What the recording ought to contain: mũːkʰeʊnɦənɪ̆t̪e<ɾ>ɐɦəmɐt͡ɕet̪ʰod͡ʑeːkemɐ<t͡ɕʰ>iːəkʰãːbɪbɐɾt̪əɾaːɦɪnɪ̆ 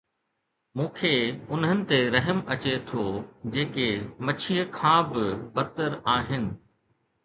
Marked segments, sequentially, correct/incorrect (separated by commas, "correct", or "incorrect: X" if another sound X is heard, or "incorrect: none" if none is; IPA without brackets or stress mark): correct, correct